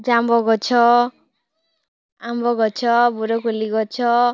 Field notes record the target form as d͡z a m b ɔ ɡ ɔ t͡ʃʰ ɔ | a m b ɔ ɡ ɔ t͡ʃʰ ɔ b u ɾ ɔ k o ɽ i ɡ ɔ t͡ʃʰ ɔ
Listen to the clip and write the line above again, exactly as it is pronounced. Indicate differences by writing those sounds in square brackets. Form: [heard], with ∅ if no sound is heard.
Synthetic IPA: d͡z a m b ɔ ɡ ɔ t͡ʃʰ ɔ | a m b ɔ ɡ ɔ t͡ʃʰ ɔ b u ɾ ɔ k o [l] i ɡ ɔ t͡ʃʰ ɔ